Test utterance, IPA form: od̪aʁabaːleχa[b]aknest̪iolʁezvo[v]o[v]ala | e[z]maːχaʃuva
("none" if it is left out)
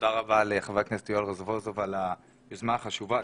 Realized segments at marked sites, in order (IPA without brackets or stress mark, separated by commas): v, z, v, z